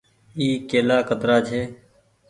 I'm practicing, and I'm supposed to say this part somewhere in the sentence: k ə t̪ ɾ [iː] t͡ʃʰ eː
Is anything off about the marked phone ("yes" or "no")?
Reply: yes